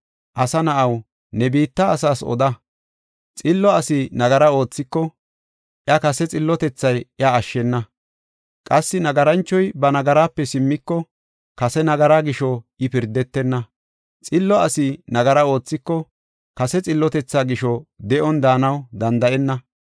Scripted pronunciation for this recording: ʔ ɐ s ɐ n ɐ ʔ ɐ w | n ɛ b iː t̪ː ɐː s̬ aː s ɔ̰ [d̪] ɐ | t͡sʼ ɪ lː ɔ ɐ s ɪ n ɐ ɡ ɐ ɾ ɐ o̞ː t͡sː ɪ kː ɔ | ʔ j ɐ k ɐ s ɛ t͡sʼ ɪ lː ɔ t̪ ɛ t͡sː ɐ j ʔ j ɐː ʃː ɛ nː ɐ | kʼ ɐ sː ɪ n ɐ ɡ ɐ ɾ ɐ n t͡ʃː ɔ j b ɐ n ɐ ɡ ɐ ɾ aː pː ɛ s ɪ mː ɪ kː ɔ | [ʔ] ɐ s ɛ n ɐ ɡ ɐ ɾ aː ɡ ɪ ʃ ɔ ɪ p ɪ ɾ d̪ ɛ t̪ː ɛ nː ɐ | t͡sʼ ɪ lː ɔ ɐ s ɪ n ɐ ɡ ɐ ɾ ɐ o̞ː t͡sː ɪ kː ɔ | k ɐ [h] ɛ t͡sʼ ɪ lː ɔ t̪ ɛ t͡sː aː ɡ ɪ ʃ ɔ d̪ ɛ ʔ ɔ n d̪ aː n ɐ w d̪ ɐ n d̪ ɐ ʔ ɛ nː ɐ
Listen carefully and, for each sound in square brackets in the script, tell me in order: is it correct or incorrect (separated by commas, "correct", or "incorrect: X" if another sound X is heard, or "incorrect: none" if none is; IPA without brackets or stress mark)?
correct, incorrect: k, incorrect: s